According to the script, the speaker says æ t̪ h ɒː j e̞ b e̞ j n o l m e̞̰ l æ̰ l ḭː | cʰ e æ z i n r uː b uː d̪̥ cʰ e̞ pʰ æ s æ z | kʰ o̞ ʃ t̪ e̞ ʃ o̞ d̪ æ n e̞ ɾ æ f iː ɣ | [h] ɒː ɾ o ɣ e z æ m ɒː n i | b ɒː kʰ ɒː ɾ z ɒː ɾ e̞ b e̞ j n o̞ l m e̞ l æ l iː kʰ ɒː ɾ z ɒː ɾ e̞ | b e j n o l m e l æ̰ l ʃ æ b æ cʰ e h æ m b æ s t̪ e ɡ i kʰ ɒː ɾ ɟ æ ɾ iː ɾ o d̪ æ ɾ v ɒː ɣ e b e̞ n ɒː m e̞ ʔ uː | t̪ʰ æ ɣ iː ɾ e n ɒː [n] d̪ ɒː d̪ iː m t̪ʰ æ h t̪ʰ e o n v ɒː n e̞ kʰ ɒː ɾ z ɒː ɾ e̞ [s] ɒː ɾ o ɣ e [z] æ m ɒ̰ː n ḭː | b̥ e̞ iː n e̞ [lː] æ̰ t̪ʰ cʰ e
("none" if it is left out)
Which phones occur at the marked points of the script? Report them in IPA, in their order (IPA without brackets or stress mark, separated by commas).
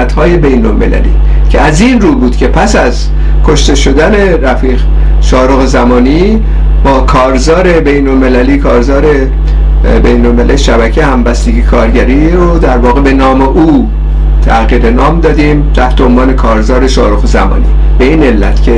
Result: ʃ, m, ʃ, z, lː